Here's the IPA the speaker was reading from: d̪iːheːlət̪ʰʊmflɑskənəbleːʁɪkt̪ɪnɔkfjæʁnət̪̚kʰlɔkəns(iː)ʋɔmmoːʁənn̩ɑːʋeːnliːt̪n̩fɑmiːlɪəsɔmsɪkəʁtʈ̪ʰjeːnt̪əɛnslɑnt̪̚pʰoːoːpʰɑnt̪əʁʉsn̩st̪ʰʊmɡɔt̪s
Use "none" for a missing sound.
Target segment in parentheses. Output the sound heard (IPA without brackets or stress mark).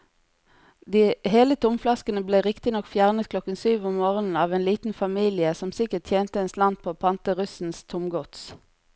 yː